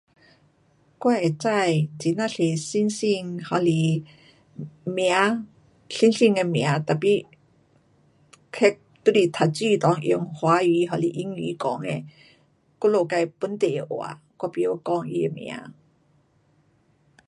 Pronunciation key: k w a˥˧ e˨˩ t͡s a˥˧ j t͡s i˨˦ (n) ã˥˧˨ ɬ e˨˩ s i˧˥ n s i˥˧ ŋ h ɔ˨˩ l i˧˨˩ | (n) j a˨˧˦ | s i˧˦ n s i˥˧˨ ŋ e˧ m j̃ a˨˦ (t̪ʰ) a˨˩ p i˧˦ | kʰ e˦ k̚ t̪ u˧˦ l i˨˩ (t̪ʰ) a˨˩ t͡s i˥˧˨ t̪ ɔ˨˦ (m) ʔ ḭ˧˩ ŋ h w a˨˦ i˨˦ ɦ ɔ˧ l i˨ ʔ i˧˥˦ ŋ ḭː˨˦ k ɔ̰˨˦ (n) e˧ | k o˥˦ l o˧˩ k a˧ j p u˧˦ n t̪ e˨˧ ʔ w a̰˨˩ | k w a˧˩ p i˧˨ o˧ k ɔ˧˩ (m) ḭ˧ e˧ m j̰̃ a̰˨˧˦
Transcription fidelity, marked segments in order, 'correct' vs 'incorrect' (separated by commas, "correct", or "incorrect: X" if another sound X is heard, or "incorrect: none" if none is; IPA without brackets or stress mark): correct, incorrect: m, incorrect: t̪, correct, incorrect: ŋ, incorrect: ŋ, incorrect: ŋ